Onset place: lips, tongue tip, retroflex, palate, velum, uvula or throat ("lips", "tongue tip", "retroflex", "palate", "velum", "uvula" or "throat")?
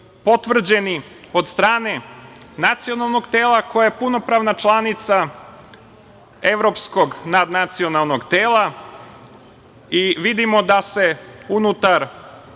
lips